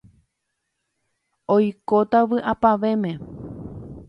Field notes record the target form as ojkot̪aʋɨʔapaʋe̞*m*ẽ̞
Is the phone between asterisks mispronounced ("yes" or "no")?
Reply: no